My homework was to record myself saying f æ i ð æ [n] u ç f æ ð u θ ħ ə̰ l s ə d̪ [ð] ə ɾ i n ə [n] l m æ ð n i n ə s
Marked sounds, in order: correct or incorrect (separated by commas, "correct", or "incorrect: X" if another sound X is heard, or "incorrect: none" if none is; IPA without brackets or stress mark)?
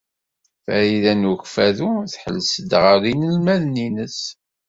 correct, incorrect: ʁ, incorrect: none